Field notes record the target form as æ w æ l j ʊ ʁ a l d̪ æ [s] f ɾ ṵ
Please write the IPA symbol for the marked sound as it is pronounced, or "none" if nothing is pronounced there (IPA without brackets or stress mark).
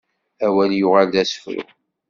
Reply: s